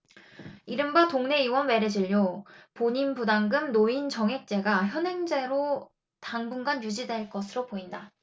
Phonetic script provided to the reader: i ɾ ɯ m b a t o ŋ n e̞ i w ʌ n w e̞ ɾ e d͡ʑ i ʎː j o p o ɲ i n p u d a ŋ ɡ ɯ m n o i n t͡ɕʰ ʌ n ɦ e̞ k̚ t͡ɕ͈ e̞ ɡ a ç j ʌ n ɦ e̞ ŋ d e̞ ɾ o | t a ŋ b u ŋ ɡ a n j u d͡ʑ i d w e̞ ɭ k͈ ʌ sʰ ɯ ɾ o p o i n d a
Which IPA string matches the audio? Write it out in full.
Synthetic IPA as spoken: i ɾ ɯ m b a t o ŋ n e̞ i w ʌ n w e̞ ɾ e d͡ʑ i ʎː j o p o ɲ i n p u d a ŋ ɡ ɯ m n o i n t͡ɕ ʌ ŋ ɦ e̞ k̚ t͡ɕ͈ e̞ ɡ a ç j ʌ n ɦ e̞ ŋ d͡ʑ e̞ ɾ o | t a ŋ b u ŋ ɡ a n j u d͡ʑ i d w e̞ ɭ k͈ ʌ sʰ ɯ ɾ o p o i n d a

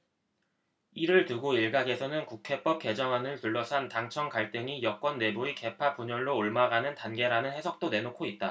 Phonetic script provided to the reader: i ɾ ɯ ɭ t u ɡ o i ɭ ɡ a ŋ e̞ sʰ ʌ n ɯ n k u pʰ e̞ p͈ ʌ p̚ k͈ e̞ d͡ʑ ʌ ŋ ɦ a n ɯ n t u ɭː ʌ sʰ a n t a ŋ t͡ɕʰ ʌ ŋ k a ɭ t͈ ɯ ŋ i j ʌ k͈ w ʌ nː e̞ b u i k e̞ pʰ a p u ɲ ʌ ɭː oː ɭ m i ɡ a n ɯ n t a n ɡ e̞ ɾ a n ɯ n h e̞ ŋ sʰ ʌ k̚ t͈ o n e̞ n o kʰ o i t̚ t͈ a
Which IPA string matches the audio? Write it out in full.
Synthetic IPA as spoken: i ɾ ɯ ɭ t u ɡ o i ɭ ɡ a ɡ e̞ sʰ ʌ n ɯ n k u kʰ e̞ p͈ ʌ p̚ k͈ e̞ d͡ʑ ʌ ŋ ɦ a n ɯ n t u ɭː ʌ sʰ a n t a ŋ t͡ɕʰ ʌ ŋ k a ɭ t͈ ɯ ŋ i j ʌ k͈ w ʌ nː e̞ b u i k e̞ pʰ a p u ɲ ʌ ɭː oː ɭ m a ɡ a n ɯ n t a n ɡ e̞ ɾ a n ɯ n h e̞ sʰ ʌ k̚ t͈ o n e̞ n o kʰ o i t̚ t͈ a

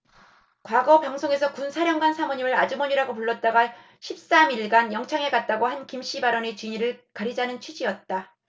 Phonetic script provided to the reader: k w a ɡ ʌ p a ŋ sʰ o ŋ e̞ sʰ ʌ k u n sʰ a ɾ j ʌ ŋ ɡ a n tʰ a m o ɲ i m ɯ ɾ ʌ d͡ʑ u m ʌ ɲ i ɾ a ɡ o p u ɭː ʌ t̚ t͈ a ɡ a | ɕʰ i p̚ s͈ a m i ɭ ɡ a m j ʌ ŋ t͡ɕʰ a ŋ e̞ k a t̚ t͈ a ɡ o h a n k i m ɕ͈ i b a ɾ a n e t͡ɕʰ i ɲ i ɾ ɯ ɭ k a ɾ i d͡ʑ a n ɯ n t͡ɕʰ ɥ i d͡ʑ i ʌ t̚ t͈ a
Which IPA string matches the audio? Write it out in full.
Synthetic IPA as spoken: k w a ɡ ʌ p a ŋ sʰ o ŋ e̞ sʰ ʌ k u n sʰ a ɾ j ʌ ŋ ɡ a n sʰ a m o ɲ i m ɯ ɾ a d͡ʑ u m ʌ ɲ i ɾ a ɡ o p u ɭː ʌ t̚ t͈ a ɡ a | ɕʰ i p̚ s͈ a m i ɭ ɡ a n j ʌ ŋ t͡ɕʰ a ŋ e̞ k a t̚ t͈ a ɡ o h a n k i m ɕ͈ i b a ɾ ʌ n e t͡ɕ i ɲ i ɾ ɯ ɭ k a ɾ i d͡ʑ a n ɯ n t͡ɕʰ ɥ i d͡ʑ i ʌ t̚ t͈ a

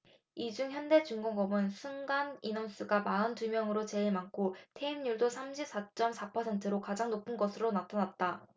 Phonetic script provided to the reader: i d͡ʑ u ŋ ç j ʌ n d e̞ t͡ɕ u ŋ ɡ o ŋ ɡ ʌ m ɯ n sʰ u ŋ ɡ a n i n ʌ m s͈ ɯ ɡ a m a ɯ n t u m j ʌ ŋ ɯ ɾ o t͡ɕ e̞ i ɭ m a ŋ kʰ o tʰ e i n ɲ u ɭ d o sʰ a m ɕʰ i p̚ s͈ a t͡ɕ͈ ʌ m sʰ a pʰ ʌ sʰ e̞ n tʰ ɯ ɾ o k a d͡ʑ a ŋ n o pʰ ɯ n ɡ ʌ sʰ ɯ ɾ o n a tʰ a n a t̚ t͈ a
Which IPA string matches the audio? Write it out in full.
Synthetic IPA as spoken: i d͡ʑ u ŋ ç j ʌ n d e̞ t͡ɕ u ŋ ɡ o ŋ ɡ ʌ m ɯ n sʰ u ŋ ɡ a n i n ʌ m s͈ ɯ ɡ a m a ɯ n t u m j ʌ ŋ ɯ ɾ o t͡ɕ e̞ i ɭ m a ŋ kʰ o tʰ e i m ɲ u ɭ d o sʰ a m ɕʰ i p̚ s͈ a t͡ɕ͈ ʌ m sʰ a pʰ ʌ sʰ e̞ n tʰ ɯ ɾ o k a d͡ʑ a ŋ n o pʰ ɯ n ɡ ʌ sʰ ɯ ɾ o n a tʰ a n a t̚ t͈ a

